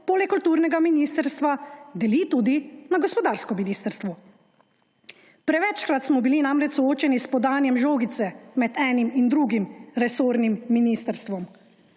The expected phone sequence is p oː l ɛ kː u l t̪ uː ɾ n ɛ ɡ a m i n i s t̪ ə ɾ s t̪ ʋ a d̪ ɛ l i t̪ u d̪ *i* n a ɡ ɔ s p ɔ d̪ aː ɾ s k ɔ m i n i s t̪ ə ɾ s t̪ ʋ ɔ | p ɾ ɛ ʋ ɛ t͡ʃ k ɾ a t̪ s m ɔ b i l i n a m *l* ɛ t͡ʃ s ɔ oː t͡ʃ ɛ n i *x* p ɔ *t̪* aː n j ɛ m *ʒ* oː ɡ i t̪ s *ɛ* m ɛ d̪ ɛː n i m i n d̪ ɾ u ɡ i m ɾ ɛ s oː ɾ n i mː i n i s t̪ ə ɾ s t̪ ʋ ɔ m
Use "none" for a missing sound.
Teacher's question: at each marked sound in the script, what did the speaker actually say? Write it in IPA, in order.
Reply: i, ɾ, s, d̪, ʒ, ɛ

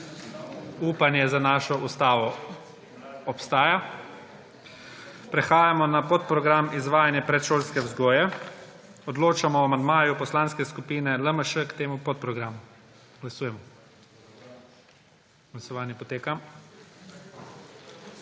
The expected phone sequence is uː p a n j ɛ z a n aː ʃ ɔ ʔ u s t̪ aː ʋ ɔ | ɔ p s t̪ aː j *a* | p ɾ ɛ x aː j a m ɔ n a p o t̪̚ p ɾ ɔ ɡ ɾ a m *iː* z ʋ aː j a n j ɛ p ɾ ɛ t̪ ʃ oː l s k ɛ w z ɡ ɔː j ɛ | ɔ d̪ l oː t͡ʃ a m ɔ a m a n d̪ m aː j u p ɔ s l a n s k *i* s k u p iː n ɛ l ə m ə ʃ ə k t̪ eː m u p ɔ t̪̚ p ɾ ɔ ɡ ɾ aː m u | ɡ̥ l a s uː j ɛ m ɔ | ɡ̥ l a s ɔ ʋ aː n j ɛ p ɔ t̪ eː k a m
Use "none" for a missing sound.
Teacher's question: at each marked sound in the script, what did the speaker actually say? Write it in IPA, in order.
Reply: a, i, ɛ

